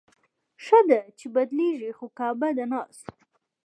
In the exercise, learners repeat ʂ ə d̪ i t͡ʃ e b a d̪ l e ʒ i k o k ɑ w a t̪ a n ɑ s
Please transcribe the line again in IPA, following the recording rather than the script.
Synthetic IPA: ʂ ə d̪ a t͡ʃ e b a d̪ l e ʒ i x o k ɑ b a d̪ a n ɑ s